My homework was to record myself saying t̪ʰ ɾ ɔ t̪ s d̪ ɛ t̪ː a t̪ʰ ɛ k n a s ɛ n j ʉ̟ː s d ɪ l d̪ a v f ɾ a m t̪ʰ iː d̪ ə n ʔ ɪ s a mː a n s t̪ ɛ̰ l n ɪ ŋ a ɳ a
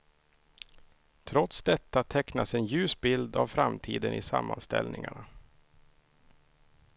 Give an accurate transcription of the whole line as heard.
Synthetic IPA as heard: t̪ʰ ɾ ɔ t̪ s d̪ ɛ t̪ː a t̪ʰ ɛ k n a s ɛ n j ʉ̟ː s b ɪ l d̪ a v f ɾ a m t̪ʰ iː d̪ ə n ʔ ɪ s a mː a n s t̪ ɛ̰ l n ɪ ŋ a ɳ a